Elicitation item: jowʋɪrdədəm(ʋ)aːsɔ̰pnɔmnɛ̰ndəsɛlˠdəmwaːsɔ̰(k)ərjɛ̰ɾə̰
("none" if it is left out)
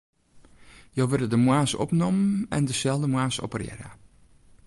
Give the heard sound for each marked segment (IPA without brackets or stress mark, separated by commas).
w, p